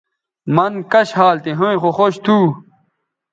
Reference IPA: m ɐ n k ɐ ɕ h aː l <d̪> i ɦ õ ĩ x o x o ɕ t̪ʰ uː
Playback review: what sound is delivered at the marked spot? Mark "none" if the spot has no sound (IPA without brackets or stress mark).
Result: t̪